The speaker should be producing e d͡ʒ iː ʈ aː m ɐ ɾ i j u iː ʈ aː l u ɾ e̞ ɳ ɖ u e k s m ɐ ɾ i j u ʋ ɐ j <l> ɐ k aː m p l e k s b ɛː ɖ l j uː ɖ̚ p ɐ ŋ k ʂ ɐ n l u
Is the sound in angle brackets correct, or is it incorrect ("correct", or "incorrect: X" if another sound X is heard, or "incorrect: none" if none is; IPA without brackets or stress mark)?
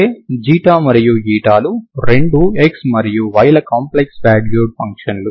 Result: correct